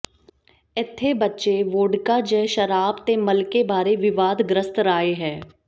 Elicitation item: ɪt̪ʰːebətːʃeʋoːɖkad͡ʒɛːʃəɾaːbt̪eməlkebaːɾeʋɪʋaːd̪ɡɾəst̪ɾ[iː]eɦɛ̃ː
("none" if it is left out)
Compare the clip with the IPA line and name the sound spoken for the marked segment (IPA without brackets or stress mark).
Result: aː